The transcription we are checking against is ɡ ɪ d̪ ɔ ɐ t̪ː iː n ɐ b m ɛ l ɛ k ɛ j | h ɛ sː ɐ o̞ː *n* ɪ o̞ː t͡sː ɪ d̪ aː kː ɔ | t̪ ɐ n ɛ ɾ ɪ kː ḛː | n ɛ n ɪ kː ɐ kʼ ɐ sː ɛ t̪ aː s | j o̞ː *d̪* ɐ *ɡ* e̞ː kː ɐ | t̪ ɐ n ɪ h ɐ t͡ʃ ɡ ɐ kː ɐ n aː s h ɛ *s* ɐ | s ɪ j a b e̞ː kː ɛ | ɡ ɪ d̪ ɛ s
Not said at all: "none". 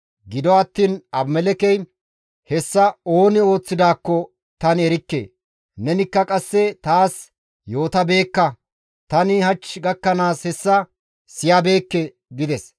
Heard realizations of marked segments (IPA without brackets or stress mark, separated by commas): n, t̪, b, sː